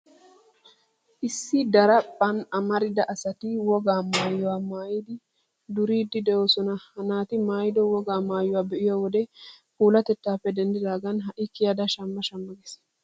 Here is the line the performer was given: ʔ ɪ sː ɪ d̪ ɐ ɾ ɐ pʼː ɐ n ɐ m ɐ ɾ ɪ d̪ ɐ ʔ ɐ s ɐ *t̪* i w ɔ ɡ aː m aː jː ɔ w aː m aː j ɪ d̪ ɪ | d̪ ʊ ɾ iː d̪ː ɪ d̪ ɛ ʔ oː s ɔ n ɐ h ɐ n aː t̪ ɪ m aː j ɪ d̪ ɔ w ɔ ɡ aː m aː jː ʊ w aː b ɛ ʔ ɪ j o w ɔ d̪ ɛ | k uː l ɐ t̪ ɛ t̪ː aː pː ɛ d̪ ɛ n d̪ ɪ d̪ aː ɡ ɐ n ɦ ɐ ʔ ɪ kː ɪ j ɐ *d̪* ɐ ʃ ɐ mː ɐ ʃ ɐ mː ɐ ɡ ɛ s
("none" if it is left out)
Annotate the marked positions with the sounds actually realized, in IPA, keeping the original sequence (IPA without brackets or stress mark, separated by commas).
t̪, d̪